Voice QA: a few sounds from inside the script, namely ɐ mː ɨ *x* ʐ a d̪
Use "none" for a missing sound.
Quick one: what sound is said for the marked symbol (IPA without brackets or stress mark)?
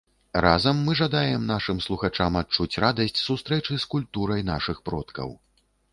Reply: none